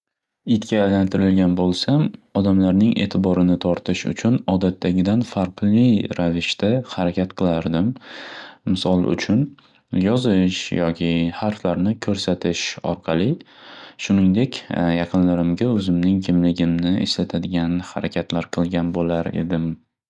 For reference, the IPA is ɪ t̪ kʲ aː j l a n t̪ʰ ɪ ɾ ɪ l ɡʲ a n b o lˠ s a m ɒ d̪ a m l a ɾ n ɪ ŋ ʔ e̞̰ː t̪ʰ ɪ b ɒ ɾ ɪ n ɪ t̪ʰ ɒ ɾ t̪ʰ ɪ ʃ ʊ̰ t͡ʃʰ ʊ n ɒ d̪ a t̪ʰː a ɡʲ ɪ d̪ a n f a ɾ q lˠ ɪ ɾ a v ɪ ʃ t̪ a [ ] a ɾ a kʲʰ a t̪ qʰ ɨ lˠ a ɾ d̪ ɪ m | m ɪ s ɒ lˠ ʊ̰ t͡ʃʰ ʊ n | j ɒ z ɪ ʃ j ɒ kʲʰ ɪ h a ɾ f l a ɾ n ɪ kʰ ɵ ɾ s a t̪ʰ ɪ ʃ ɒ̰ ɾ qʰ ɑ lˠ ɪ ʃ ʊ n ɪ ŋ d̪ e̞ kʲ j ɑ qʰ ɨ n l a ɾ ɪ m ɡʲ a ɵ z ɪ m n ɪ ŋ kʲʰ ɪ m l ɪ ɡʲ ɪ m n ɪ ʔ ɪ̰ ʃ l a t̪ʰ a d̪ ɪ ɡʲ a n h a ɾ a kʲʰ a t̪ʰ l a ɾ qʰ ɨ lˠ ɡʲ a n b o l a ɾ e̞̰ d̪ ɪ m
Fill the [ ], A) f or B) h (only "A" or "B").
B